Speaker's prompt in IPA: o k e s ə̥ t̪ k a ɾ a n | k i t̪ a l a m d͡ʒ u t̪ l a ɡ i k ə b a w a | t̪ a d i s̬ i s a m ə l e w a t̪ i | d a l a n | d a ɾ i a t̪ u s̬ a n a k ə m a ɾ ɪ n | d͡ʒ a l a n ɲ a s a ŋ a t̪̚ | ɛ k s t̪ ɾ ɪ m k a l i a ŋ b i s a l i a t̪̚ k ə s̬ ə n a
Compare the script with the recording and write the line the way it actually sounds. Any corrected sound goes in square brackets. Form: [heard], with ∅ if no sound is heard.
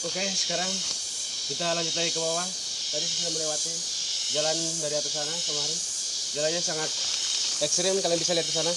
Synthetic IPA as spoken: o k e s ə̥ [∅] k a ɾ a [ŋ] | k i t̪ a l a [ɲ] d͡ʒ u t̪ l a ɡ i k ə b a w a | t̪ a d i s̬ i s a m ə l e w a t̪ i | [d͡ʒ] a l a n | d a ɾ i a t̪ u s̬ a n a k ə m a ɾ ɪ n | d͡ʒ a l a n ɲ a s a ŋ a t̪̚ | ɛ k s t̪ ɾ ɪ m k a l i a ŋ b i s a l i a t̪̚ k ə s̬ [a] n a